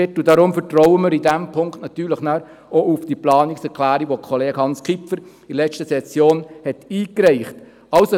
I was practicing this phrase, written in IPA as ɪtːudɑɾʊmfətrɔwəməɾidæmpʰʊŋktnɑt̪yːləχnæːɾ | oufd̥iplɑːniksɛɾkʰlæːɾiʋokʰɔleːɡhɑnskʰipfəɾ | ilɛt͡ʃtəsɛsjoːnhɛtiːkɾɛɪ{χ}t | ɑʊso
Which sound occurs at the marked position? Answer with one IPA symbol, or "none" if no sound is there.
χ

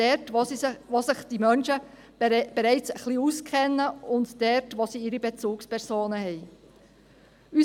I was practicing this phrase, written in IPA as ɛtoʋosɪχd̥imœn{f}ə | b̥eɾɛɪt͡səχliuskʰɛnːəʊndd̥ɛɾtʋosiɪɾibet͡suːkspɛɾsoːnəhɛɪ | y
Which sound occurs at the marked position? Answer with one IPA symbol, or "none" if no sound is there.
ʃ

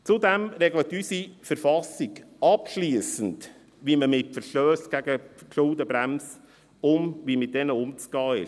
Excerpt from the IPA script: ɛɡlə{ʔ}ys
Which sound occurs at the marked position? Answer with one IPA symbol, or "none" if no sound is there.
t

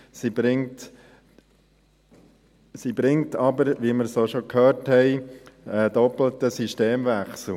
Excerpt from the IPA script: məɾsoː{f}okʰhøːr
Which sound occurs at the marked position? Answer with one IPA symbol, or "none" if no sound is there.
ʃ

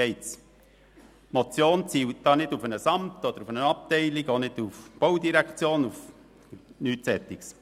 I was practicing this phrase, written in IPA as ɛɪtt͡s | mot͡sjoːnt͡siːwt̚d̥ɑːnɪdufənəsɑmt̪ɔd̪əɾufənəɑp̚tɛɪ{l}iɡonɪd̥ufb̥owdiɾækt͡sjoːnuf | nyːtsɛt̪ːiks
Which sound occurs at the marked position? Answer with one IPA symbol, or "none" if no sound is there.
l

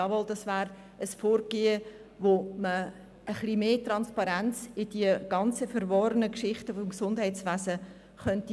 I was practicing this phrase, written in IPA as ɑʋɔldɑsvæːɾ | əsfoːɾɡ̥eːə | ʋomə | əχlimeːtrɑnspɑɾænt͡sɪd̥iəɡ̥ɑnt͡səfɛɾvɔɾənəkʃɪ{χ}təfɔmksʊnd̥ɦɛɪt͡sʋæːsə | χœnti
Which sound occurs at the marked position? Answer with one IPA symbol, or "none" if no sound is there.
χ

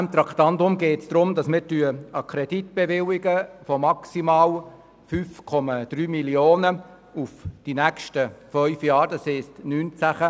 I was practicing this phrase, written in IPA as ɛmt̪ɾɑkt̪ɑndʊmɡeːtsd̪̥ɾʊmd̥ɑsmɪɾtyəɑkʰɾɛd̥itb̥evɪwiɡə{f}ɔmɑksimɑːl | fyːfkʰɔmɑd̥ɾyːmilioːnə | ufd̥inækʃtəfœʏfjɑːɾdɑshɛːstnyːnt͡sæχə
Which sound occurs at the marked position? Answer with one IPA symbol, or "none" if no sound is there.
f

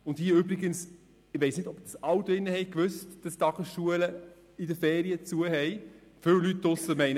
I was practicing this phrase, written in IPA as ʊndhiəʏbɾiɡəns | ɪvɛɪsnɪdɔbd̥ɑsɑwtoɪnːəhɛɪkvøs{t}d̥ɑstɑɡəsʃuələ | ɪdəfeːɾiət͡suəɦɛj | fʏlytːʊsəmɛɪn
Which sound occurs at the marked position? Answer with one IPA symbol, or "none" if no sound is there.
t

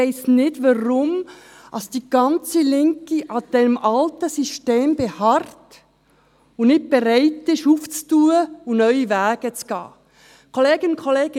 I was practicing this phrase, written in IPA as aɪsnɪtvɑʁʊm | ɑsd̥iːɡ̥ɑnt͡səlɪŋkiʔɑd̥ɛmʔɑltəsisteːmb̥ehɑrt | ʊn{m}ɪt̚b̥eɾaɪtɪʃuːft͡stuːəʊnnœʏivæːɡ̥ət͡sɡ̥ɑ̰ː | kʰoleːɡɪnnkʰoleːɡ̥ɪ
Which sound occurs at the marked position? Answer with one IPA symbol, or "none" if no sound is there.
n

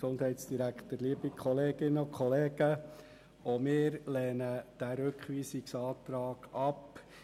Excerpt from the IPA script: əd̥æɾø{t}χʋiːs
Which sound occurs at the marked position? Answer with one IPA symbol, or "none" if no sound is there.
k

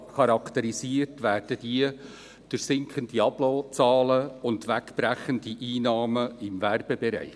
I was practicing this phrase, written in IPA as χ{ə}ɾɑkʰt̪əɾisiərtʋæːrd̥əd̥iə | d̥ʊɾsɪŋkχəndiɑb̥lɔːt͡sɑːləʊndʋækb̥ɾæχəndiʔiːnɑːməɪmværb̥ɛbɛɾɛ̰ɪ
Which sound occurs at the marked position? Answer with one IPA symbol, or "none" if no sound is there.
ɑ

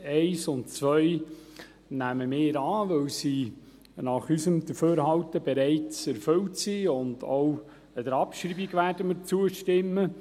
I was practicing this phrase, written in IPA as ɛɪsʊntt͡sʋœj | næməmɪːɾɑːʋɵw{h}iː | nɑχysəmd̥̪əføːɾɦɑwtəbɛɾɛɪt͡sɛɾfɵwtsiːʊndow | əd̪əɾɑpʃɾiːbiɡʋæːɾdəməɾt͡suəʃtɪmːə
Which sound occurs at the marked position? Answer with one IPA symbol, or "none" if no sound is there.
s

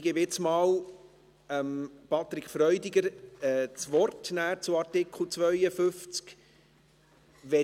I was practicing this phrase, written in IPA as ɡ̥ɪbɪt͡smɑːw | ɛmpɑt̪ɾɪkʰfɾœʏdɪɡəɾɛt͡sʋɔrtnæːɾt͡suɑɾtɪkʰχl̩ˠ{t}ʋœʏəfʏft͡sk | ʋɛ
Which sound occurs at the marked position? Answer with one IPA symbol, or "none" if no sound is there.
t͡s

